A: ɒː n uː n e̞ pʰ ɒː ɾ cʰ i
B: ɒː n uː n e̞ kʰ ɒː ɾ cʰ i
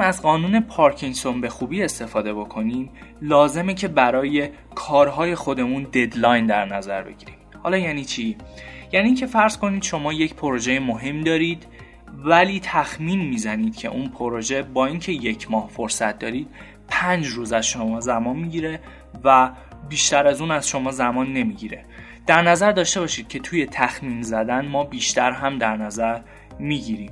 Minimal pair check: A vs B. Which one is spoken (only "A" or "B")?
A